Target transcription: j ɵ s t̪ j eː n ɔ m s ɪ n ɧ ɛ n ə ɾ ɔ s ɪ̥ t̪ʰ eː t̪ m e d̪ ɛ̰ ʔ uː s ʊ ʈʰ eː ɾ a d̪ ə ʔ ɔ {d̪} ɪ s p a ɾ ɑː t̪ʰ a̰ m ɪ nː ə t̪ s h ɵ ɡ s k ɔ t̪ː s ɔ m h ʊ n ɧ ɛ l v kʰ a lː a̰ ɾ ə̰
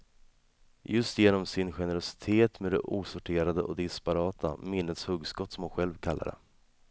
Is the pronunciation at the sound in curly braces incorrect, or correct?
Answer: correct